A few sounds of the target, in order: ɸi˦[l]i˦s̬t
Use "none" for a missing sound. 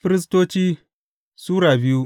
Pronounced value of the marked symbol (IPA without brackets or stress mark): ɾ